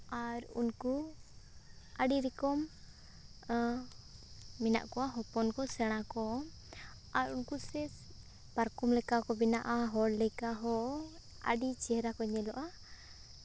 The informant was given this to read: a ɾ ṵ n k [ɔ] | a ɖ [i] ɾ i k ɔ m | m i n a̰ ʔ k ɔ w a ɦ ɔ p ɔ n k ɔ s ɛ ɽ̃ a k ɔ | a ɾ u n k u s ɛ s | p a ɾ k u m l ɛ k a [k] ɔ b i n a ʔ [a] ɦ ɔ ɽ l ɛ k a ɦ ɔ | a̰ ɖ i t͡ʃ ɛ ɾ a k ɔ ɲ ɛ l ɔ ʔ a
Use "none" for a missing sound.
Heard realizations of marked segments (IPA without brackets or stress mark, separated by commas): u, i, k, a